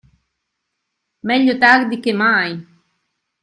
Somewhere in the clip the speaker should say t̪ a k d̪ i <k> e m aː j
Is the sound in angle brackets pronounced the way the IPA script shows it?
yes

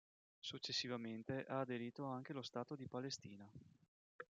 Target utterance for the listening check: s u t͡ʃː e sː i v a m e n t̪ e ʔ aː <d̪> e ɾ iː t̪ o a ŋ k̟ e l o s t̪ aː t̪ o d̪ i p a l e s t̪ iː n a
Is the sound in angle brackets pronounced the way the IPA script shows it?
yes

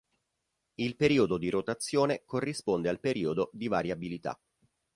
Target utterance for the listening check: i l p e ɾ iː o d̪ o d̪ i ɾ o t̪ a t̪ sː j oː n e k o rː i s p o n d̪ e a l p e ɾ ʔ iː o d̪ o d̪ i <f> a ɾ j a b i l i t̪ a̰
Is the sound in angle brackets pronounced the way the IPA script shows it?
no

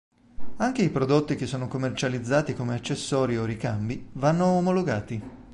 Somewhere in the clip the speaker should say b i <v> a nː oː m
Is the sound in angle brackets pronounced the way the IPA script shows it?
yes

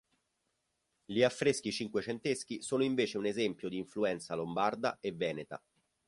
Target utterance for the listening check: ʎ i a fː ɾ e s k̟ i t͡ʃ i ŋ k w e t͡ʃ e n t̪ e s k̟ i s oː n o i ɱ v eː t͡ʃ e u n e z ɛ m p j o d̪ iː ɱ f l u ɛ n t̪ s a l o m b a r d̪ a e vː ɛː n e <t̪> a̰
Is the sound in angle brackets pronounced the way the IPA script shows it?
yes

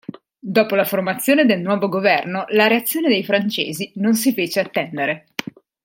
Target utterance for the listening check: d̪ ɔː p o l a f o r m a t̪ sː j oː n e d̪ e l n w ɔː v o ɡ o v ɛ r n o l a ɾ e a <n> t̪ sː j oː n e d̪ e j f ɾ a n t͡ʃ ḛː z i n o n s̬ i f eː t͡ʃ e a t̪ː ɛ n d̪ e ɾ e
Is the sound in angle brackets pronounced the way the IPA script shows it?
no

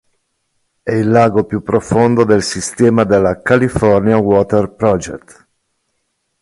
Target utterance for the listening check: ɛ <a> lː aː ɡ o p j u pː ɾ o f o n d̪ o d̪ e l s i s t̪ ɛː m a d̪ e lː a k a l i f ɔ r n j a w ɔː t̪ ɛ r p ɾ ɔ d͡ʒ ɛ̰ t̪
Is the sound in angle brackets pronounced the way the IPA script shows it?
no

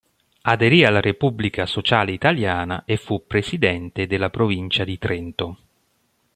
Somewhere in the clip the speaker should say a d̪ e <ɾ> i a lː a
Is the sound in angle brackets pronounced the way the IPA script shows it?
yes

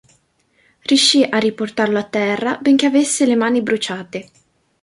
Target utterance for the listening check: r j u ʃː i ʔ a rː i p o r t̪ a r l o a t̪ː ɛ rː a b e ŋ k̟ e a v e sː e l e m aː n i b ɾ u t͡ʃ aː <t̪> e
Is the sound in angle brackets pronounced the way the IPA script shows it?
yes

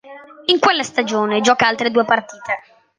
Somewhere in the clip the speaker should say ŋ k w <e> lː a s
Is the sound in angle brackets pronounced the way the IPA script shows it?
yes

